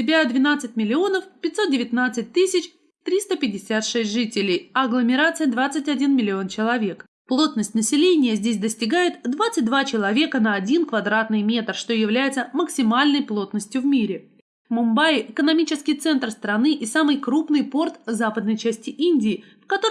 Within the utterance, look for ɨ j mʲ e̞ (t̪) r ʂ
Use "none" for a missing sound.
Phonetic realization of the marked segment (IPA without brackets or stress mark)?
t̪